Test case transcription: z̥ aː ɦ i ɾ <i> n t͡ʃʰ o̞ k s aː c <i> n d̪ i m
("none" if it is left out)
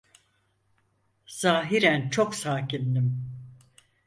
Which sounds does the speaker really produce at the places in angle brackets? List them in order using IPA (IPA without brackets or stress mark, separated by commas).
æ, i